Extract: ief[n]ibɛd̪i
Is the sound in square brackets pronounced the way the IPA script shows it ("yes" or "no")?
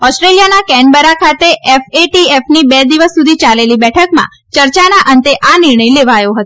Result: yes